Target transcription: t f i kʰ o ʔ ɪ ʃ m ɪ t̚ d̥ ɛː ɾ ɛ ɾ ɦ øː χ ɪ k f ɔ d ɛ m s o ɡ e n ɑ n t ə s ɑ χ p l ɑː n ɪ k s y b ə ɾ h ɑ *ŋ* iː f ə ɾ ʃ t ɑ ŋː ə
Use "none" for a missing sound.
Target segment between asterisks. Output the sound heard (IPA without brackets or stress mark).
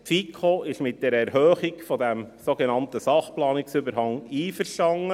ŋ